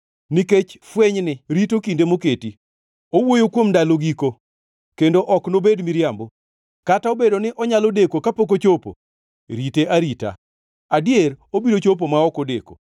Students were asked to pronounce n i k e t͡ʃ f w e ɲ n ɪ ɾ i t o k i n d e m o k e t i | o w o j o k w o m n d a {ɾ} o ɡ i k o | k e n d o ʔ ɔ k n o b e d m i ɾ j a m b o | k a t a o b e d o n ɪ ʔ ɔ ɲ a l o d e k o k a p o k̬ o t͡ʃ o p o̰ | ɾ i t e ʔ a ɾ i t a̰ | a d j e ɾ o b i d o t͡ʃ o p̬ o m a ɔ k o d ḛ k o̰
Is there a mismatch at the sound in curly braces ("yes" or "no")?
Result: yes